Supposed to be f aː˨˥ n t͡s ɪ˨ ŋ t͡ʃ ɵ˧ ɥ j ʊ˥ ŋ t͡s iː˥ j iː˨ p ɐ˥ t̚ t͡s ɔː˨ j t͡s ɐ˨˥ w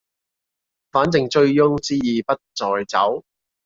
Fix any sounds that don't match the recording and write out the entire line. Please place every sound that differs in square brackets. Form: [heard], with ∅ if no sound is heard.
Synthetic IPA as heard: f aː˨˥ n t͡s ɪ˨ ŋ t͡ʃ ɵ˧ ɥ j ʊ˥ ŋ t͡s iː˥ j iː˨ p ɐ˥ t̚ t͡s ɔː˨ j t͡s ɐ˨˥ w